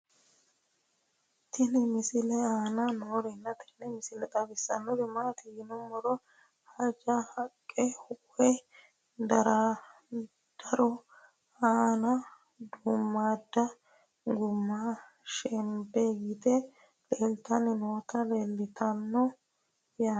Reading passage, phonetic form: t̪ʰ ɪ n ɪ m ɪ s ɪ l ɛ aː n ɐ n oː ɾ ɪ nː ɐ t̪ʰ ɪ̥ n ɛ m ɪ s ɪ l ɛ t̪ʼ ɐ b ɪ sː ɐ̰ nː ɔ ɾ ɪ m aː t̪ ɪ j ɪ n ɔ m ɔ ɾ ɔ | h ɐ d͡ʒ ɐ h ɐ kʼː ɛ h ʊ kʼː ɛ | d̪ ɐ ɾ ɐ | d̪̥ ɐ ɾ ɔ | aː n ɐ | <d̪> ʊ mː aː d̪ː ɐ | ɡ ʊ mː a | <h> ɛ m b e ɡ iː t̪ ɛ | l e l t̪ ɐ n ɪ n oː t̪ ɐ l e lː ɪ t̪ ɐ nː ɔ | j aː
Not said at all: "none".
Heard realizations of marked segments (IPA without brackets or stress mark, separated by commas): d̪, ʃ